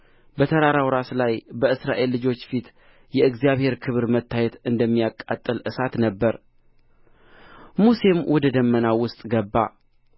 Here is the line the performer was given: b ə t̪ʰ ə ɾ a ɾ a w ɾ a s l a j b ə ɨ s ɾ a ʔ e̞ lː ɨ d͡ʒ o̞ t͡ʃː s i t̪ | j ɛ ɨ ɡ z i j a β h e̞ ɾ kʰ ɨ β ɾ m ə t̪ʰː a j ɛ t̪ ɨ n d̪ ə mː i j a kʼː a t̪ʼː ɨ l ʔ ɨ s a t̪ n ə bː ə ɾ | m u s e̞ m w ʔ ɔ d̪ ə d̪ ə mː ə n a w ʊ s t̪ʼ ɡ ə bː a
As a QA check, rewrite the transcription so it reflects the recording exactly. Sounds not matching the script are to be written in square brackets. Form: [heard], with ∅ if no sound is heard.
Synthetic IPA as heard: b ə t̪ʰ ə ɾ a ɾ a w ɾ a s l a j b ə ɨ s ɾ a ʔ e̞ lː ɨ d͡ʒ o̞ t͡ʃː [f] i t̪ | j ɛ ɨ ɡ z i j a β h e̞ ɾ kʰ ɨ β ɾ m ə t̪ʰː a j ɛ t̪ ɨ n d̪ ə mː i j a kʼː a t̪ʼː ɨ l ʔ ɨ s a t̪ n ə bː ə ɾ | m u s e̞ m w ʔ ɔ d̪ ə d̪ ə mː ə n a w ʊ s t̪ʼ ɡ ə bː a